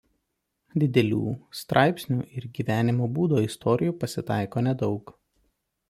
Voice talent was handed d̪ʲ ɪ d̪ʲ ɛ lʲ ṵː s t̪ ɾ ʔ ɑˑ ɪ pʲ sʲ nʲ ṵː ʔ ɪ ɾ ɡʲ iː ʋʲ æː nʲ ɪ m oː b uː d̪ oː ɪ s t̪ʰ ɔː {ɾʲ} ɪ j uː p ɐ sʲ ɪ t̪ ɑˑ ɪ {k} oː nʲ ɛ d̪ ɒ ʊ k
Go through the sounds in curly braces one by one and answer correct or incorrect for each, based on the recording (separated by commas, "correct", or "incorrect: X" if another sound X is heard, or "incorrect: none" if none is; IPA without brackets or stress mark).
correct, correct